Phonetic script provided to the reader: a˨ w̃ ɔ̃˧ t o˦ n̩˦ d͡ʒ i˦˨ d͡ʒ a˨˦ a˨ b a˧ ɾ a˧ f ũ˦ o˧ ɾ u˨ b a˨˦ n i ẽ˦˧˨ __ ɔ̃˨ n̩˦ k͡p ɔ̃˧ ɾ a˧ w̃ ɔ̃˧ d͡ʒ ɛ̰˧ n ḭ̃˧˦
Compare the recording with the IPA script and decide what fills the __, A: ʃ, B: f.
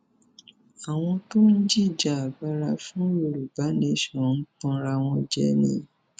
A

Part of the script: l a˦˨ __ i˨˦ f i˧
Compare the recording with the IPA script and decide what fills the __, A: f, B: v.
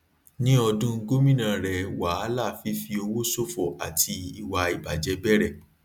A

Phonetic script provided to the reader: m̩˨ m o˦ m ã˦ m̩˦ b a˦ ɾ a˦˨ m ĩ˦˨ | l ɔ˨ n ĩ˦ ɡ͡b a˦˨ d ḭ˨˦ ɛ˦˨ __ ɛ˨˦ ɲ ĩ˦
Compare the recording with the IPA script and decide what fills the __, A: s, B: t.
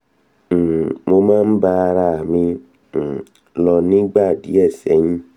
A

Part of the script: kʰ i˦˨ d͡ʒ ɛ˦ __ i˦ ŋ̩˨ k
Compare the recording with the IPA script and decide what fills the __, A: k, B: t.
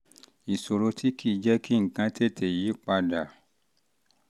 A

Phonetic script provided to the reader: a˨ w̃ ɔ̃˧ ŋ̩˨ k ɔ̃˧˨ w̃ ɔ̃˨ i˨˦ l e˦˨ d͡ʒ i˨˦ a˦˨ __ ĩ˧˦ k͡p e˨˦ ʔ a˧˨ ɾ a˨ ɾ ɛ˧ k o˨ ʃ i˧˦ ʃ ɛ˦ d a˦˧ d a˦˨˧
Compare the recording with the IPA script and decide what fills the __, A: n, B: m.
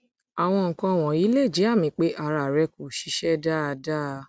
B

